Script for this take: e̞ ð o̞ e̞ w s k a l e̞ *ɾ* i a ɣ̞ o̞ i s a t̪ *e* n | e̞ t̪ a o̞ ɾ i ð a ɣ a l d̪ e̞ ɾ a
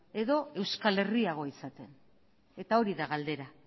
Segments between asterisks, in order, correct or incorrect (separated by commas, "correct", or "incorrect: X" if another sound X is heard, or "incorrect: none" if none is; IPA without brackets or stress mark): incorrect: r, correct